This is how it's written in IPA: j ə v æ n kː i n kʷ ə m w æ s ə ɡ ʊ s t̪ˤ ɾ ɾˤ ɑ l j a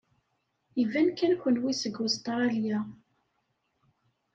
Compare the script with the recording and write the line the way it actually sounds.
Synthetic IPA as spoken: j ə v æ n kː æ n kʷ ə n w i s ə ɡ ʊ s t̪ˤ ɾ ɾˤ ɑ l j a